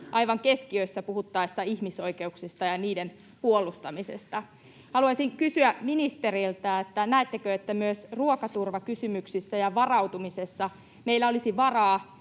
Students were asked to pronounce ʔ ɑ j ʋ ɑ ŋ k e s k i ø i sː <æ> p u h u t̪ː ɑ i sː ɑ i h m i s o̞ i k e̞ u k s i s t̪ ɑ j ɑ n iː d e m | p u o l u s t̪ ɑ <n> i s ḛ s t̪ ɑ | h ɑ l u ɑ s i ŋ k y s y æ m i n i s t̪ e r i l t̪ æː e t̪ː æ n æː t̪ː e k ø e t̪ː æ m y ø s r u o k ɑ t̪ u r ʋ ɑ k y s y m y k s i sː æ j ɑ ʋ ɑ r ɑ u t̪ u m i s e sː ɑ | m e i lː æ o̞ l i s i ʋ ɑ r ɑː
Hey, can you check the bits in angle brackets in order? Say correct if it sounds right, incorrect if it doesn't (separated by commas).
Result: correct, incorrect